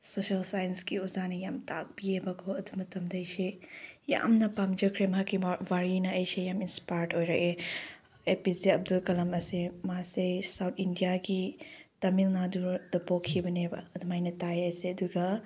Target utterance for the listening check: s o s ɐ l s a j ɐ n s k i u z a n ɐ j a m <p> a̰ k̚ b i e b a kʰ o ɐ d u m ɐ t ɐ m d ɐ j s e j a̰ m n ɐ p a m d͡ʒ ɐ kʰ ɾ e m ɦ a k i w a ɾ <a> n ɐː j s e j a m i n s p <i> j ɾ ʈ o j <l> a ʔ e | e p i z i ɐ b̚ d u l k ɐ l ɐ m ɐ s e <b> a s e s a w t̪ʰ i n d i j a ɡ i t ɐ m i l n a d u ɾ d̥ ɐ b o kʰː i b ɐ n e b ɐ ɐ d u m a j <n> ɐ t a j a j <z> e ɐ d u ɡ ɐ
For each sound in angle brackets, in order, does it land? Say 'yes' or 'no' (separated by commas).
no, no, no, no, no, yes, no